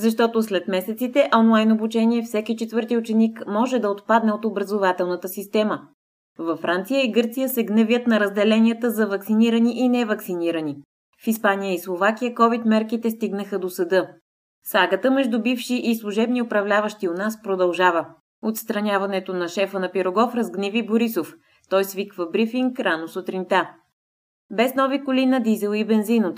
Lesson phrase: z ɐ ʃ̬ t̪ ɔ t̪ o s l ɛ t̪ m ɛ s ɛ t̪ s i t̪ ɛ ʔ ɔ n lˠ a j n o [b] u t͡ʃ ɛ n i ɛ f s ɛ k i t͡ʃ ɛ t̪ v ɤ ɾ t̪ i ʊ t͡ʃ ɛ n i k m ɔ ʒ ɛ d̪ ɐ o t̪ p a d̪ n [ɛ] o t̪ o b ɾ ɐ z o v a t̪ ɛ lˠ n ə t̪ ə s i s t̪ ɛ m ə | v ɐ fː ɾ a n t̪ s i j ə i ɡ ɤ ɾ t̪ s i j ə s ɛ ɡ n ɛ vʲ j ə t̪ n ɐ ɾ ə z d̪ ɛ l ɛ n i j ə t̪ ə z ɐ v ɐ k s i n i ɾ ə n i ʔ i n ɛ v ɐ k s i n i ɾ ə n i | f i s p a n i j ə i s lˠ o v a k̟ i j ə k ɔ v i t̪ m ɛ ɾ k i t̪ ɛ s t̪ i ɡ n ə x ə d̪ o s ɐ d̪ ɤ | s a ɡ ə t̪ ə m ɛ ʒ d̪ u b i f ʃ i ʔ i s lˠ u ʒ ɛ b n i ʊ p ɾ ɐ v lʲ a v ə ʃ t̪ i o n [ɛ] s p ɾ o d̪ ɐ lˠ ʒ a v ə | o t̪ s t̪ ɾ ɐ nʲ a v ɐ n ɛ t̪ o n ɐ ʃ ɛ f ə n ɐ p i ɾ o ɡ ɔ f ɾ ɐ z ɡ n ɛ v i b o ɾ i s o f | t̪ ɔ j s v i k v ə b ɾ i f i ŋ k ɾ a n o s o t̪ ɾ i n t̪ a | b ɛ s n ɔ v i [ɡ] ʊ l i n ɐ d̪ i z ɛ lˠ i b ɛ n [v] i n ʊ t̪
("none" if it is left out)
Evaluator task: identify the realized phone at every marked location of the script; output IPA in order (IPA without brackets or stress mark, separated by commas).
b, ɛ, a, k, z